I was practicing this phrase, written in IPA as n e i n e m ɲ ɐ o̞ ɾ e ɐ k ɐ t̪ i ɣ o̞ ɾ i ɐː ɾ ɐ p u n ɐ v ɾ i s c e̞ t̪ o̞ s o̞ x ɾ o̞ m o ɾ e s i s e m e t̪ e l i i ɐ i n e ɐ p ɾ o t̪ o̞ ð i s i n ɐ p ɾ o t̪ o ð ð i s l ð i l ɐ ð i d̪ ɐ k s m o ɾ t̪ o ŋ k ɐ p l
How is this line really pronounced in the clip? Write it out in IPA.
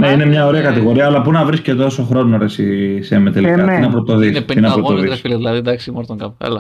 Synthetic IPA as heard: n e i n e m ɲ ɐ o̞ ɾ e ɐ k ɐ t̪ i ɣ o̞ ɾ i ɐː l ɐ p u n ɐ v ɾ i s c e̞ t̪ o̞ s o̞ x ɾ o̞ n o ɾ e s i s e m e t̪ e l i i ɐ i n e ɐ p ɾ o t̪ o̞ ð i s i n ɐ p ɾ o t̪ o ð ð i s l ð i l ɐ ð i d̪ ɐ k s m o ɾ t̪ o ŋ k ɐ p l